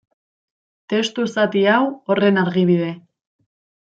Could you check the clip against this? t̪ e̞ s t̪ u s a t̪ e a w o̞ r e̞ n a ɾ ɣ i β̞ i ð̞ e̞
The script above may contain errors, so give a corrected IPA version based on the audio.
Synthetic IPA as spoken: t̪ e̞ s t̪ u s a t̪ i a w o̞ r e̞ n a ɾ ɣ i β̞ i ð̞ e̞